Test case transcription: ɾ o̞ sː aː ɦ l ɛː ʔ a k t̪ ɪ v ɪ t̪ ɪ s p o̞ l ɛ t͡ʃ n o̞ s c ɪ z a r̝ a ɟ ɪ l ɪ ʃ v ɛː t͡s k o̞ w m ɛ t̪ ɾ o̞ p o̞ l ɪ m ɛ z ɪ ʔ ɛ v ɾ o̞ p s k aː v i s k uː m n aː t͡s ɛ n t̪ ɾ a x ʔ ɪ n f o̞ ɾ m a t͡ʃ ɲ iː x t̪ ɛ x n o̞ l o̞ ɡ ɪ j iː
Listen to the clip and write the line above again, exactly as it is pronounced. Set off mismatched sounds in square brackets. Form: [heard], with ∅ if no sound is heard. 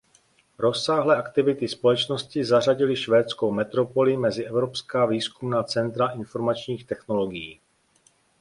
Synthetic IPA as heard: ɾ o̞ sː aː ɦ l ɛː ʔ a k t̪ ɪ v ɪ t̪ ɪ s p o̞ l ɛ t͡ʃ n o̞ s c ɪ z a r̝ a ɟ ɪ l ɪ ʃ v ɛː t͡s k o̞ w m ɛ t̪ ɾ o̞ p o̞ l ɪ m ɛ z ɪ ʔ ɛ v ɾ o̞ p s k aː v [iː] s k [u] m n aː t͡s ɛ n t̪ ɾ a [∅] ʔ ɪ n f o̞ ɾ m a t͡ʃ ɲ iː x t̪ ɛ x n o̞ l o̞ ɡ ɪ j iː